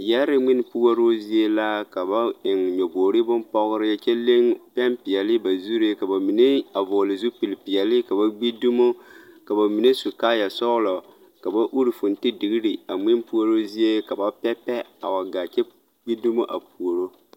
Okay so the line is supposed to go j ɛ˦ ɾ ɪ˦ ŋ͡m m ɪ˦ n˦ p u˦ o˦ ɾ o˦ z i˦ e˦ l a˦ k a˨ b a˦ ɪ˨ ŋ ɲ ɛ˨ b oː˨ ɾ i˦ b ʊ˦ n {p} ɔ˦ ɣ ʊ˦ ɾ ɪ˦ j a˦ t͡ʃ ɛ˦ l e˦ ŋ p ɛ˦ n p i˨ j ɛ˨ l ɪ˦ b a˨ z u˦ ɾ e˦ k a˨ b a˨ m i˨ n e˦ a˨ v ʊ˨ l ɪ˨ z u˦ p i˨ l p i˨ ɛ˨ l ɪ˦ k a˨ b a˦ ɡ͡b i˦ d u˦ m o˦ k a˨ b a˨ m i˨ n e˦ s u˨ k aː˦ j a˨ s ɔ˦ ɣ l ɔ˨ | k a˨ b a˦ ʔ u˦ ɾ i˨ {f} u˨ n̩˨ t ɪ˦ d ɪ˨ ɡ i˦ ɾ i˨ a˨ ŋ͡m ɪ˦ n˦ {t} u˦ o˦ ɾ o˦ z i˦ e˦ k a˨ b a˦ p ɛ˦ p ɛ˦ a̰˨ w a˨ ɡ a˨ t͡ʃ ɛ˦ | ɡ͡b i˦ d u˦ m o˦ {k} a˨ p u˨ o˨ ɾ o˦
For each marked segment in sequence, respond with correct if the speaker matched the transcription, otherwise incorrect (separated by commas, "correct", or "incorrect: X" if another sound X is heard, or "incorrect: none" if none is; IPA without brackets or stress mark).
correct, correct, incorrect: p, incorrect: ʔ